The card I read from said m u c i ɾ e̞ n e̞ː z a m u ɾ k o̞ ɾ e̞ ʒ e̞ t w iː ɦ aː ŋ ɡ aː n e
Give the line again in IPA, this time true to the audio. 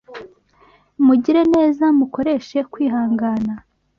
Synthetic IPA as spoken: m u ɟ i ɾ e̞ n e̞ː z a m u k o̞ ɾ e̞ ʃ e̞ k w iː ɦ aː ŋ ɡ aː n a